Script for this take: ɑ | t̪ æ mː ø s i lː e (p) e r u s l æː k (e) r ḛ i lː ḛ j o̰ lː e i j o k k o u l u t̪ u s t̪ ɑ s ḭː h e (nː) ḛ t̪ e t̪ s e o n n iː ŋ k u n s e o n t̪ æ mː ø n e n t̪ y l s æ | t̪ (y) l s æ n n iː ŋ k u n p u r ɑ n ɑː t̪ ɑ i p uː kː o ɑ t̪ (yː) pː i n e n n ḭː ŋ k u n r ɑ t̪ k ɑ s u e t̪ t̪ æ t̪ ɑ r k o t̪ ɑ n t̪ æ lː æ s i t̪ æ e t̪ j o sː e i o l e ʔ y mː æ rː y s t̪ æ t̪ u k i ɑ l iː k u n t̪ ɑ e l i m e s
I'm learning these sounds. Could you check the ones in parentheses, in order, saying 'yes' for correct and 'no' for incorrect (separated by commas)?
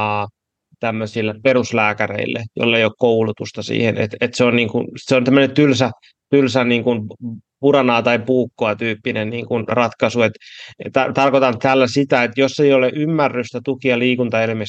yes, no, no, yes, yes